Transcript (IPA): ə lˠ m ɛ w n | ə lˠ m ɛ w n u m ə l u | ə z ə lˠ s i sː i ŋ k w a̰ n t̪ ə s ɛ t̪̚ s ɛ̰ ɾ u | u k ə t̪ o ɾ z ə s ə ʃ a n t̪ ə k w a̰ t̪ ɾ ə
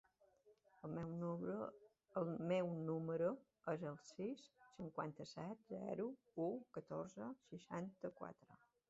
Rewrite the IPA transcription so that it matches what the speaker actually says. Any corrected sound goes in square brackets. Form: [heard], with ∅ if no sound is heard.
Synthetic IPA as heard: ə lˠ m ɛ w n | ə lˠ m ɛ w n u m ə [ɾ] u | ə z ə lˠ s i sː i ŋ k w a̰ n t̪ ə s ɛ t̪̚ [z] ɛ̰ ɾ u | u k ə t̪ o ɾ z ə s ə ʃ a n t̪ ə k w a̰ t̪ ɾ ə